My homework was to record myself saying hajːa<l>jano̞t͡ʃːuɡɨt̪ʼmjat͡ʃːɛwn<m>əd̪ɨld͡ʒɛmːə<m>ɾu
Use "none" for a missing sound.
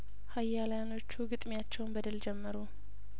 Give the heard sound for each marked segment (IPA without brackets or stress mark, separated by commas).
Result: l, b, none